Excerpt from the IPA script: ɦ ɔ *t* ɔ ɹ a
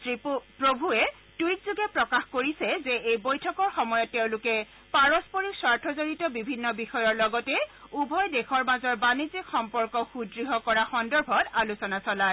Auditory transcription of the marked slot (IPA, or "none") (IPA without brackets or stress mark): k